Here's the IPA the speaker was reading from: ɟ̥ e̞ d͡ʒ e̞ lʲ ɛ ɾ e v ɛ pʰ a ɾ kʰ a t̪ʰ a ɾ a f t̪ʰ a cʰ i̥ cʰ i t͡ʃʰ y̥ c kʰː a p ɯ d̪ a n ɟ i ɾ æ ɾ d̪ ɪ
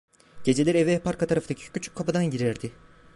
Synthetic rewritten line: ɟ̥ e̞ d͡ʒ e̞ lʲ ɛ ɾ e v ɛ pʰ a ɾ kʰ a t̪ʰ a ɾ a f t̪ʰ a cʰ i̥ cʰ y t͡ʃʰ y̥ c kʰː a p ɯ d̪ a n ɟ i ɾ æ ɾ d̪ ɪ